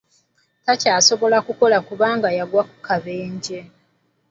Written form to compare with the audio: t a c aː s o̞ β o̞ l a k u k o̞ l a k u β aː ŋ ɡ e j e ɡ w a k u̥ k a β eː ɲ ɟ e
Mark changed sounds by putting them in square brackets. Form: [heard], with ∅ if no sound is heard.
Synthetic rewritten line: t a c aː s o̞ β o̞ l a k u k o̞ l a k u β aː ŋ ɡ [a] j [a] ɡ w a k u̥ k a β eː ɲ ɟ e